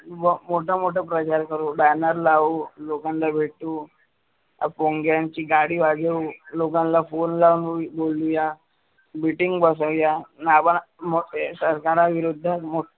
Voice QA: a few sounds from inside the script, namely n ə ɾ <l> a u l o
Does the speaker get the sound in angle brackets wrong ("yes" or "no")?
no